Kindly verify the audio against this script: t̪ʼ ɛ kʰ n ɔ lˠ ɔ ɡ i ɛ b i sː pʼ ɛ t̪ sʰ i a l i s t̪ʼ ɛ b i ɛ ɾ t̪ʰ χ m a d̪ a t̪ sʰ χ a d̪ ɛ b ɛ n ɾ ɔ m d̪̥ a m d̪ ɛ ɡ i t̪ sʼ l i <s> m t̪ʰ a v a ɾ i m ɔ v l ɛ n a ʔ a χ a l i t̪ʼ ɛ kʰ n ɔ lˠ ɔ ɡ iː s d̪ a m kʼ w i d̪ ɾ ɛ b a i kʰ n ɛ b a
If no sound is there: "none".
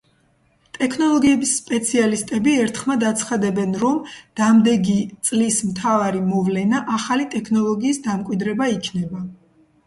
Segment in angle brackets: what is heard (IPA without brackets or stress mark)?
s